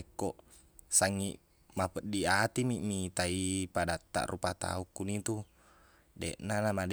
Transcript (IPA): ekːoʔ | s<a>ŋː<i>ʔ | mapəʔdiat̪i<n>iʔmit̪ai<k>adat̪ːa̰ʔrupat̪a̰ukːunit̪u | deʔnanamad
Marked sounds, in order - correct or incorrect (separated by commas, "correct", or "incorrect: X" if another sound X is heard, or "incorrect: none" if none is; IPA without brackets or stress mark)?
correct, correct, incorrect: m, incorrect: p